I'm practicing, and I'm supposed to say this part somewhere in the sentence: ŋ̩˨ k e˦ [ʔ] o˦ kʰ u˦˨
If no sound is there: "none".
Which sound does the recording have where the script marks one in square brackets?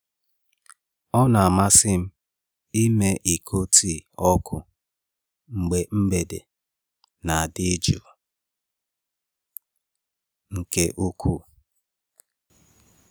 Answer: ʔ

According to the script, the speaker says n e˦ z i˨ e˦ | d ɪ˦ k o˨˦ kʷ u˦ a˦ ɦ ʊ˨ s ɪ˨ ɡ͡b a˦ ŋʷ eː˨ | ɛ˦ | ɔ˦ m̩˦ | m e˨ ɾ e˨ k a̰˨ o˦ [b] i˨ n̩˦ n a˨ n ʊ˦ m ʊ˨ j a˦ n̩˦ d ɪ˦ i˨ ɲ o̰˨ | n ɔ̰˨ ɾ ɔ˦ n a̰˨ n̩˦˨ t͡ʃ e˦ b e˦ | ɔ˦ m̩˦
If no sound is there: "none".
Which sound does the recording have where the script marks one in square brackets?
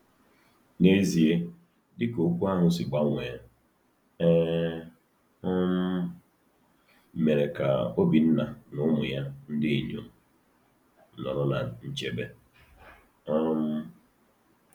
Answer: b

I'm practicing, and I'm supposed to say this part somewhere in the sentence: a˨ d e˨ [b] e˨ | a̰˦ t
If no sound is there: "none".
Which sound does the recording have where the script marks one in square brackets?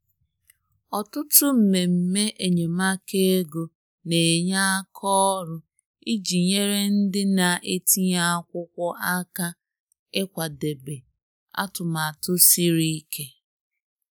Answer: b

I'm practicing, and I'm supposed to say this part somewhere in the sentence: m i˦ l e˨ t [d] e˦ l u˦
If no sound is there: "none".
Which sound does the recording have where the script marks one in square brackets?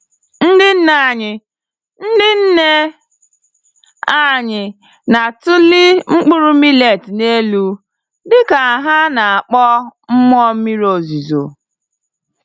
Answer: n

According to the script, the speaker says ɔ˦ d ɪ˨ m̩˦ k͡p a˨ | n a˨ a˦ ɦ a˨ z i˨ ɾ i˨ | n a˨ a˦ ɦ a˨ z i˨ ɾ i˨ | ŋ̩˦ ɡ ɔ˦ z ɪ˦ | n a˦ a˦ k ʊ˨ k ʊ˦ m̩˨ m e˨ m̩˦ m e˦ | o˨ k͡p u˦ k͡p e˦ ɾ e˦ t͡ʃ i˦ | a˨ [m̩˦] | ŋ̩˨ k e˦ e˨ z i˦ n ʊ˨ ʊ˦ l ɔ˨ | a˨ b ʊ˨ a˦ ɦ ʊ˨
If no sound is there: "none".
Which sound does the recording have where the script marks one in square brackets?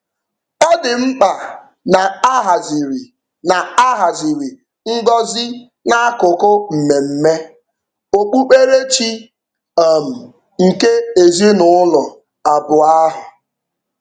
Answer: m̩˨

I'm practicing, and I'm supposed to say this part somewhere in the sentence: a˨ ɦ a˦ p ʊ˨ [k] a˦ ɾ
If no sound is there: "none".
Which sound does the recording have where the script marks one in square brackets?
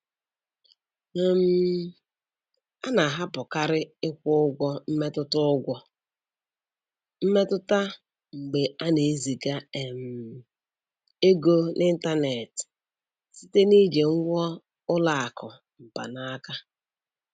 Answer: k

